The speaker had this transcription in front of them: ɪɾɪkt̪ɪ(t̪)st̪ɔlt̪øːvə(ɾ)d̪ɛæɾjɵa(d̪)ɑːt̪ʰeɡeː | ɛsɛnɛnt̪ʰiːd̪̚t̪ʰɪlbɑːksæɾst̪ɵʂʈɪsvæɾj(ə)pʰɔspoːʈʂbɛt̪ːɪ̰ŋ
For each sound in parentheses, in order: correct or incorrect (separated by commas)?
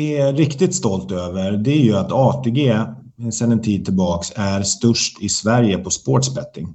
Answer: correct, correct, incorrect, correct